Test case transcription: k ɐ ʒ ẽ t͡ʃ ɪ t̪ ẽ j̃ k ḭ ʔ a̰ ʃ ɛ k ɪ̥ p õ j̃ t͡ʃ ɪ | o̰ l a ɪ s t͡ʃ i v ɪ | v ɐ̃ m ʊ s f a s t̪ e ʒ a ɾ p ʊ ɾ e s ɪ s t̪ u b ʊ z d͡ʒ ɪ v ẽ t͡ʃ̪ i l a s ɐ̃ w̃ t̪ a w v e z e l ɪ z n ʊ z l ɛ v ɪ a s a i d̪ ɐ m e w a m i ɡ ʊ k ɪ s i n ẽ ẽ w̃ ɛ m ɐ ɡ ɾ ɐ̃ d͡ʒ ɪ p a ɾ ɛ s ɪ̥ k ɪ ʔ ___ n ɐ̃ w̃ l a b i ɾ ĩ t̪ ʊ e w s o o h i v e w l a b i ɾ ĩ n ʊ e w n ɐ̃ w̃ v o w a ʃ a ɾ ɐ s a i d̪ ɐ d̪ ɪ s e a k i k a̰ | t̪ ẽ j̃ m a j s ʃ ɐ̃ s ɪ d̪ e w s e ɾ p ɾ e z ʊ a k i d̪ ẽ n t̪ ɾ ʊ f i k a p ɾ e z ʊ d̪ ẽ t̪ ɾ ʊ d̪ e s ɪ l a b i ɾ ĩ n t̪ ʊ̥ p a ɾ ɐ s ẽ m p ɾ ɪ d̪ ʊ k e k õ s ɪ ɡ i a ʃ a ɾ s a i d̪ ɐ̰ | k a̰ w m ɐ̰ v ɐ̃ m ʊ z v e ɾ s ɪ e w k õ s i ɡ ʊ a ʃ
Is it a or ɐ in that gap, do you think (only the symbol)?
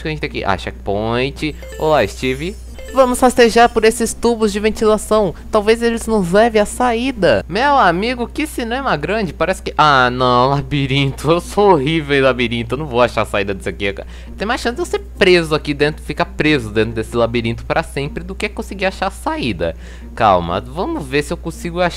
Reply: a